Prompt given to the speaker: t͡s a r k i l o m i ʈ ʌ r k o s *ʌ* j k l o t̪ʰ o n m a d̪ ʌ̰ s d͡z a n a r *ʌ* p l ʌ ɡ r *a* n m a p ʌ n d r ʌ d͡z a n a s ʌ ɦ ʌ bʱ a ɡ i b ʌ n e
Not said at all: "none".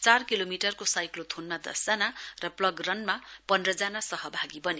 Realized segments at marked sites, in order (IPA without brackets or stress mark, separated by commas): a, ʌ, ʌ